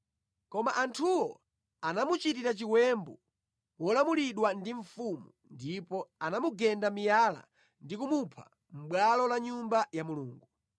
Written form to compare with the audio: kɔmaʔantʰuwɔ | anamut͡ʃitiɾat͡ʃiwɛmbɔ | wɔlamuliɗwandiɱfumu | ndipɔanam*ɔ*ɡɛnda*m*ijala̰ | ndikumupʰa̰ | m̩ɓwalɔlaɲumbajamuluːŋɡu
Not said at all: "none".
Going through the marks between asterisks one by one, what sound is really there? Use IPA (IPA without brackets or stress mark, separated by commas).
u, m